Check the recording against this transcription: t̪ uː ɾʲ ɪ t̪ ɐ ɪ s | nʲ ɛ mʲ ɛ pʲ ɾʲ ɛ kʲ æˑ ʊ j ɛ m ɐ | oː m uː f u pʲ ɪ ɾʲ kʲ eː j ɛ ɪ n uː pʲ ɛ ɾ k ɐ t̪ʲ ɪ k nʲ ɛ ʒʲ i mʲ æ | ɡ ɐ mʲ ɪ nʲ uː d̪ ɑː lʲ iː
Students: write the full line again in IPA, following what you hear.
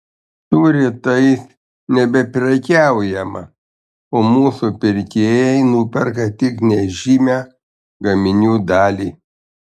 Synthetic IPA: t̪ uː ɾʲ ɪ t̪ ɐ ɪ s | nʲ ɛ bʲ ɛ pʲ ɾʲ ɛ kʲ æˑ ʊ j ɛ m ɐ | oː m uː s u pʲ ɪ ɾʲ kʲ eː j ɛ ɪ n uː pʲ ɛ ɾ k ɐ t̪ʲ ɪ k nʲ ɛ ʒʲ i mʲ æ | ɡ ɐ mʲ ɪ nʲ uː d̪ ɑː lʲ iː

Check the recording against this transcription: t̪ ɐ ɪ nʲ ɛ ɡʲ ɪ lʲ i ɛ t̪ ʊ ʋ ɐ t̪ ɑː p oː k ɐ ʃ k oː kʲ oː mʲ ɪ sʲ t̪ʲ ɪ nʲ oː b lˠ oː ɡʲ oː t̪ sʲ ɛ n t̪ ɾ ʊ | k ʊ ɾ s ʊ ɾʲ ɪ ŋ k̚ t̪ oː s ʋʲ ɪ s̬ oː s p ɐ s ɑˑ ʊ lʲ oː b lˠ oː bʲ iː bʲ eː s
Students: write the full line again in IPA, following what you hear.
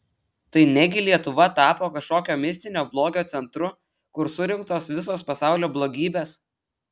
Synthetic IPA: t̪ ɐ ɪ nʲ ɛ ɡʲ ɪ lʲ i ɛ t̪ ʊ ʋ ɐ t̪ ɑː p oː k ɐ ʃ k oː kʲ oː mʲ ɪ sʲ t̪ʲ ɪ nʲ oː b lˠ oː ɡʲ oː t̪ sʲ ɛ n t̪ ɾ ʊ | k ʊ ɾ s ʊ ɾʲ ɪ ŋ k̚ t̪ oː s ʋʲ ɪ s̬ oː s p ɐ s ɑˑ ʊ lʲ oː b lˠ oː ɡʲ iː bʲ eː s

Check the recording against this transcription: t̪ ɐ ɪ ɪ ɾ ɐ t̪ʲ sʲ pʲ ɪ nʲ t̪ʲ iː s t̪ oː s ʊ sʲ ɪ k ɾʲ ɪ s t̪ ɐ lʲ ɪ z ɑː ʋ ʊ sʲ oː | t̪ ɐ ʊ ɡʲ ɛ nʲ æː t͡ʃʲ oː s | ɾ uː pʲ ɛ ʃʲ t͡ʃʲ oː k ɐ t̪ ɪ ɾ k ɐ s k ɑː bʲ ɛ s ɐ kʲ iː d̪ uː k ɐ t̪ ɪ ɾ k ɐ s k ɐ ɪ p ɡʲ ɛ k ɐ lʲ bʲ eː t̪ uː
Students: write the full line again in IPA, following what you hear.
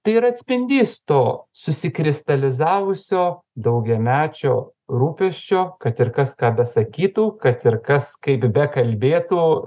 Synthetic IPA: t̪ ɐ ɪ ɪ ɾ ɐ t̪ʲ sʲ pʲ ɪ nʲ d̪ʲ iː s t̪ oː s ʊ sʲ ɪ k ɾʲ ɪ s t̪ ɐ lʲ ɪ z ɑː ʋ ʊ sʲ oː | d̪ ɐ ʊ ɡʲ ɛ mʲ æː t͡ʃʲ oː | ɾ uː pʲ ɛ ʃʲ t͡ʃʲ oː k ɐ t̪ ɪ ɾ k ɐ s k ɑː bʲ ɛ s ɐ kʲ iː t̪ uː k ɐ t̪ ɪ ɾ k ɐ s k ɐ ɪ p bʲ ɛ k ɐ lʲ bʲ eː t̪ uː

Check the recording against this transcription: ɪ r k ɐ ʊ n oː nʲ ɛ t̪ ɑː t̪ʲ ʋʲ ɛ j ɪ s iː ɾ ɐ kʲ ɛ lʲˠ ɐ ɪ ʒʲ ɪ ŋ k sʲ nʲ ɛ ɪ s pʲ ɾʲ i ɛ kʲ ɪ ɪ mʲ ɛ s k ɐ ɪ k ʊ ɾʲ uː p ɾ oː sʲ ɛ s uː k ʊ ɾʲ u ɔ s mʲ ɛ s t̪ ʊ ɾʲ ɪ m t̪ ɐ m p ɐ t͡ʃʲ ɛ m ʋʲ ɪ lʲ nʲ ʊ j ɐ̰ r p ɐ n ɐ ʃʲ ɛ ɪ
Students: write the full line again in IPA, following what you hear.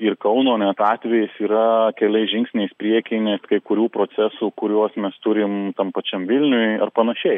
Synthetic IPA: ɪ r k ɐ ʊ n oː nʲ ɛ t̪ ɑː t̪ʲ ʋʲ ɛ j ɪ s iː ɾ ɐ kʲ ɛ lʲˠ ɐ ɪ ʒʲ ɪ ŋ k sʲ nʲ ɛ ɪ s pʲ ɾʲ i ɛ kʲ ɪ ɪ nʲ ɛ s k ɐ ɪ k ʊ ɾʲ uː p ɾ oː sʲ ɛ s uː k ʊ ɾʲ u ɔ s mʲ ɛ s t̪ ʊ ɾʲ ɪ m t̪ ɐ m p ɐ t͡ʃʲ ɛ m ʋʲ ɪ lʲ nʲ ʊ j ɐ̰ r p ɐ n ɐ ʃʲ ɛ ɪ

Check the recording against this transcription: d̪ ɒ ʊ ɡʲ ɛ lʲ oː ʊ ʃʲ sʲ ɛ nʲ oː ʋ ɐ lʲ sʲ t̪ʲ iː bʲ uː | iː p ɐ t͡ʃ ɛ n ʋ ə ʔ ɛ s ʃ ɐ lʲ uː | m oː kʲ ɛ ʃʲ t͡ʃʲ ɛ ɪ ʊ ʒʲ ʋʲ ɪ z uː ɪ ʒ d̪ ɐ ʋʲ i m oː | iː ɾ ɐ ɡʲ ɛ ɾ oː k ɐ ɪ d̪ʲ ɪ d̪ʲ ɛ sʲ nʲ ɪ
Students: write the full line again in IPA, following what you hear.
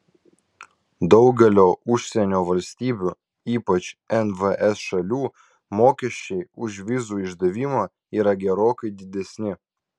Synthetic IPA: d̪ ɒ ʊ ɡʲ ɛ lʲ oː ʊ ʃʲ sʲ ɛ nʲ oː ʋ ɐ lʲ sʲ t̪ʲ iː bʲ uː | iː p ɐ t͡ʃ ɛ n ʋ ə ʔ ɛ s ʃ ɐ lʲ uː | m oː kʲ ɛ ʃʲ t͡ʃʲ ɛ ɪ ʊ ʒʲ ʋʲ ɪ z uː ɪ ʒ d̪ ɐ ʋʲ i m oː | iː ɾ ɐ ɡʲ ɛ ɾ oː k ɐ ɪ d̪ʲ ɪ d̪ʲ ɛ sʲ nʲ ɪ

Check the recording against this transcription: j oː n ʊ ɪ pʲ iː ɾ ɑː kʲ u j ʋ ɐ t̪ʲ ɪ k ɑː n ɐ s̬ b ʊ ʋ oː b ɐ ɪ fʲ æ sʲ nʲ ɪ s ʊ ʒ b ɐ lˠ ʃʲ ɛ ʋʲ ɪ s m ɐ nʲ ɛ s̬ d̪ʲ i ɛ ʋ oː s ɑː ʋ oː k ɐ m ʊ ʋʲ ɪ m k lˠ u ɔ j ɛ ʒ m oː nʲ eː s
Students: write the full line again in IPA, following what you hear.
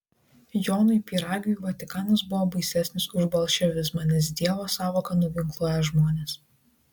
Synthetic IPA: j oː n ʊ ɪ pʲ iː ɾ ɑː ɡʲ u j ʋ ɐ t̪ʲ ɪ k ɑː n ɐ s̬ b ʊ ʋ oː b ɐ ɪ sʲ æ sʲ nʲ ɪ s ʊ ʒ b ɐ lˠ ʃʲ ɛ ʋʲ ɪ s m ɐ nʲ ɛ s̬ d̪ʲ i ɛ ʋ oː s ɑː ʋ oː k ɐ n ʊ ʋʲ ɪ ŋ k lˠ u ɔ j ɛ ʒ m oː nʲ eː s

